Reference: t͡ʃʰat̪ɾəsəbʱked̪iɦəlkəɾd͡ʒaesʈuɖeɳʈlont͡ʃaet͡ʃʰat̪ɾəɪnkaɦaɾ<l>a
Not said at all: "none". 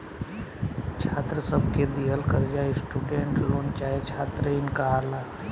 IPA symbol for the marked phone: l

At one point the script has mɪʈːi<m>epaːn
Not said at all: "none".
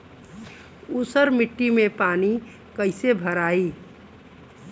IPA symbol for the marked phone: m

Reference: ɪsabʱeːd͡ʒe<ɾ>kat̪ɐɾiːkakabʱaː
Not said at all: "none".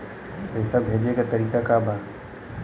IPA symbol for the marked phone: none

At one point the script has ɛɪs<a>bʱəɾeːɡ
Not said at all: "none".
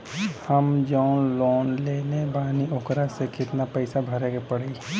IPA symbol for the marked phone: a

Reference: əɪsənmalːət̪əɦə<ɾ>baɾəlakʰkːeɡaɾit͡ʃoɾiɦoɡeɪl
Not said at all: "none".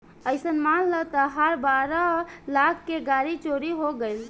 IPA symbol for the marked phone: ɾ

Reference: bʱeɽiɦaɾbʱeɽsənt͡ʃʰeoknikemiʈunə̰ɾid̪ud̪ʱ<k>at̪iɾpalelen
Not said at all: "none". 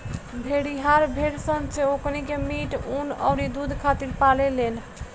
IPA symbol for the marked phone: kʰ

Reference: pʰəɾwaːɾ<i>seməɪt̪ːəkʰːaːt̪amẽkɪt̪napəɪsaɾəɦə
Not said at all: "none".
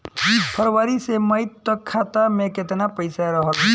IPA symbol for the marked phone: i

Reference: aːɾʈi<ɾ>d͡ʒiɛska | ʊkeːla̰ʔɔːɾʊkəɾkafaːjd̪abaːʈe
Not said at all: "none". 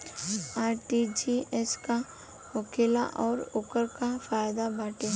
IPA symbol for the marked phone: none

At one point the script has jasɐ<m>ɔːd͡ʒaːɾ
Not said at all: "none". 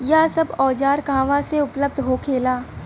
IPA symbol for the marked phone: b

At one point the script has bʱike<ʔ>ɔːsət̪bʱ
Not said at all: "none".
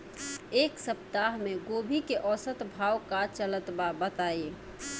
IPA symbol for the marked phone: ʔ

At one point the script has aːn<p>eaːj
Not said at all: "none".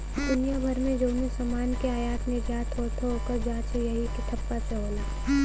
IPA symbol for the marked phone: k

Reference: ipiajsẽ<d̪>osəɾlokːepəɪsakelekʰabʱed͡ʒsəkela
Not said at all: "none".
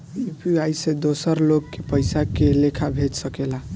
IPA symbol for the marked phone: d̪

